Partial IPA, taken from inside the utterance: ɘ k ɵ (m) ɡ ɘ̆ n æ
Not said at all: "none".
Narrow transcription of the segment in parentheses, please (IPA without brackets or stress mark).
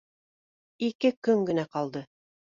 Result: ŋ